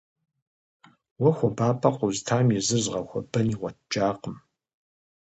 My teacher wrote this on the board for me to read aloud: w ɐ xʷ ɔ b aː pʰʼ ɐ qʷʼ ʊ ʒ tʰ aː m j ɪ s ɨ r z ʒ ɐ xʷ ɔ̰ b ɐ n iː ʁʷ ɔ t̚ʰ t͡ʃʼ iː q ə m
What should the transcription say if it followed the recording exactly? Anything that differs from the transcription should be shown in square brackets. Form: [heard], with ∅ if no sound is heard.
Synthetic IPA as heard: w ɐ xʷ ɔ b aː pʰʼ ɐ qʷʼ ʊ [z] tʰ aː m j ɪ [z] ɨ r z [ʁ] ɐ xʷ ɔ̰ b ɐ n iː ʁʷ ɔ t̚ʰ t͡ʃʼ [aː] q ə m